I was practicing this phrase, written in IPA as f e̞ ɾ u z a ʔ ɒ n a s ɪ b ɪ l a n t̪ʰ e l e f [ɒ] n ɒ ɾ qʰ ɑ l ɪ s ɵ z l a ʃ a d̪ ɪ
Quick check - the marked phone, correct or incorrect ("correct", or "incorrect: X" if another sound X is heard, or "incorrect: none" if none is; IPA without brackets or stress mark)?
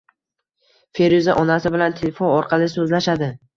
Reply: incorrect: o